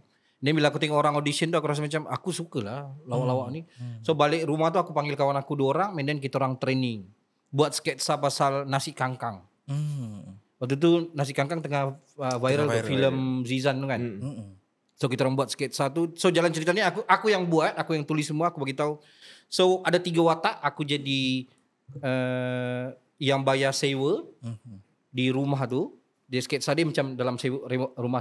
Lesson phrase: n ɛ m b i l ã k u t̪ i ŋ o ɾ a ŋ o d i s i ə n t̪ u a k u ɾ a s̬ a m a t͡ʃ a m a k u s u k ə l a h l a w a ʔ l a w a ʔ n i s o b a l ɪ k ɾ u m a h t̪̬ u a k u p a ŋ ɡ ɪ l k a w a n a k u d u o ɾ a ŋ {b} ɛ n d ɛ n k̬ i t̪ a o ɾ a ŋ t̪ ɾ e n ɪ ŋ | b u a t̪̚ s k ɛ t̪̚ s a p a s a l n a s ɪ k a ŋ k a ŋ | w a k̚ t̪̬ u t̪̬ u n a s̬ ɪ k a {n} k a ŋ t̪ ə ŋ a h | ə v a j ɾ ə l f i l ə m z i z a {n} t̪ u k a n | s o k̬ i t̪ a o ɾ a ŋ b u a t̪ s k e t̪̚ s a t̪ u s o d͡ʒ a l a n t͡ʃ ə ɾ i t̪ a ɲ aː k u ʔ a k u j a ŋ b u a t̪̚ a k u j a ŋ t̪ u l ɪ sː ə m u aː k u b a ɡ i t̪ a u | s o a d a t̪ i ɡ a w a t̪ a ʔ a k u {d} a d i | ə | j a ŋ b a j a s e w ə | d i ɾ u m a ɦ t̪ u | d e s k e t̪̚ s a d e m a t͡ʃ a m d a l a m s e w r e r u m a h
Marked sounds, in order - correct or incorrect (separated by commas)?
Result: incorrect, incorrect, correct, incorrect